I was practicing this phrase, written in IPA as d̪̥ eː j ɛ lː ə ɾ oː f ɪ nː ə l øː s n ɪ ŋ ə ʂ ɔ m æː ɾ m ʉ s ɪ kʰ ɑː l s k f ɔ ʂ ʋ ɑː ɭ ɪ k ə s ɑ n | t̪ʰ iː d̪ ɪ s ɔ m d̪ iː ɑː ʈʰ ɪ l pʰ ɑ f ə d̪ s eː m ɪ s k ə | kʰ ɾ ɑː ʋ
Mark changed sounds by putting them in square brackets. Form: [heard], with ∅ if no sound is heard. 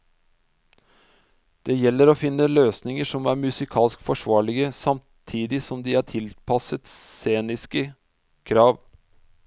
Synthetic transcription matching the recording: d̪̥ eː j ɛ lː ə ɾ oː f ɪ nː ə l øː s n ɪ ŋ ə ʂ ɔ m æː ɾ m ʉ s ɪ kʰ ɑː l s k f ɔ ʂ ʋ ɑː ɭ ɪ [ɡ] ə s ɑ [m] | t̪ʰ iː d̪ ɪ s ɔ m d̪ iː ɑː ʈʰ ɪ l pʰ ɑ [s] ə [t̪] s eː [n] ɪ s k ə | kʰ ɾ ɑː ʋ